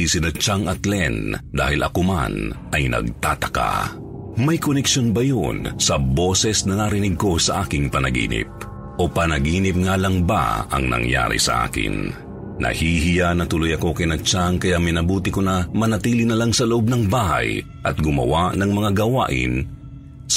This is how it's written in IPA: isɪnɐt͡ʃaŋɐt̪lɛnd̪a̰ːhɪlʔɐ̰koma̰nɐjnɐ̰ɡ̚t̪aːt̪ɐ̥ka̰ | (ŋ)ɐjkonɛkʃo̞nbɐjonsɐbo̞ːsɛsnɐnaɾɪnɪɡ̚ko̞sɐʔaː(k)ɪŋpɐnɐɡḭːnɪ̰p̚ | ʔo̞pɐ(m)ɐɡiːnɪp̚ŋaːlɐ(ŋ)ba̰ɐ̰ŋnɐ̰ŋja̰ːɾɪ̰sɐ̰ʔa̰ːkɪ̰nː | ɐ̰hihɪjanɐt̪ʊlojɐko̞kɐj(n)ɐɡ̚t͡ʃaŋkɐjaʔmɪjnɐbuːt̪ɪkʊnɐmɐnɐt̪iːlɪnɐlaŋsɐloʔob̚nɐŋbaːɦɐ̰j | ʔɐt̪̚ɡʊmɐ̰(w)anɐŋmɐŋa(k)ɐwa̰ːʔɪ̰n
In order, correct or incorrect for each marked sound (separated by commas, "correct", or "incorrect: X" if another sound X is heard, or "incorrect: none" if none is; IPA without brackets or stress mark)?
incorrect: m, correct, incorrect: n, correct, correct, correct, incorrect: ɡ